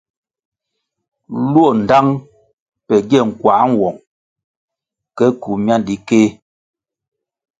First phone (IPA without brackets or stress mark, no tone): l